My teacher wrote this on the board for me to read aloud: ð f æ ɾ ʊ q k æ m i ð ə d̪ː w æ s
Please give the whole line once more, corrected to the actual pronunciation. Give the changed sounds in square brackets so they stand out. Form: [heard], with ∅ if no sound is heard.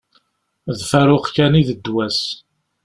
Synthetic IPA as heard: ð f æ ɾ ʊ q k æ [n] i ð ə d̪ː w æ s